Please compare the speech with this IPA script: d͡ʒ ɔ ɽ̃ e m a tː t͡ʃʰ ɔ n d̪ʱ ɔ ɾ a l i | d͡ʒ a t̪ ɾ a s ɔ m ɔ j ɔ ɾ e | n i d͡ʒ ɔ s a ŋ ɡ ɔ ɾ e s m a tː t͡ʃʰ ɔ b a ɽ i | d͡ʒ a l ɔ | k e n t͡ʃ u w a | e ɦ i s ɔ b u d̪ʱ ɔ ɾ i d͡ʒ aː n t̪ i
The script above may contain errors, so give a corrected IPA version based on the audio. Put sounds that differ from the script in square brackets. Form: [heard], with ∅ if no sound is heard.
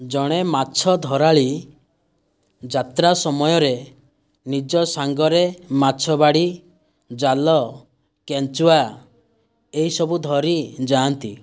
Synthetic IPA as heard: d͡ʒ ɔ ɽ̃ e m a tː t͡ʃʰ ɔ [∅] d̪ʱ ɔ ɾ a [ɭ] i | d͡ʒ a t̪ ɾ a s ɔ m ɔ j ɔ ɾ e | n i d͡ʒ ɔ s a ŋ ɡ ɔ ɾ e [∅] m a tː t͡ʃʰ ɔ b a ɽ i | d͡ʒ a l ɔ | k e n t͡ʃ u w a | e ɦ i s ɔ b u d̪ʱ ɔ ɾ i d͡ʒ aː n t̪ i